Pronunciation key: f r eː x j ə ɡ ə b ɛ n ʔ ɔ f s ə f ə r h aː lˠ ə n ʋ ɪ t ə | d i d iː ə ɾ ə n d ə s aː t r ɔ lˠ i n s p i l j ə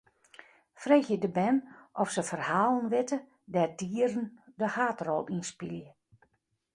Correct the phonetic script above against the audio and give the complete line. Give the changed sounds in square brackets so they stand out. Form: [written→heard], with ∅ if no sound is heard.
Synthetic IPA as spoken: f r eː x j ə [ɡ→d] ə b ɛ n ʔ ɔ f s ə f ə r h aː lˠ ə n ʋ ɪ t ə | d [i→ɛ] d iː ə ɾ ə n d ə [s→h] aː t r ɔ lˠ i n s p i l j ə